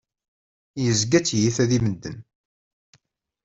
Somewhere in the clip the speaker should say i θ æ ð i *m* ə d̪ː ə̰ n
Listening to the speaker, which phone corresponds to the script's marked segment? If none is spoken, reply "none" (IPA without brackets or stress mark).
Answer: m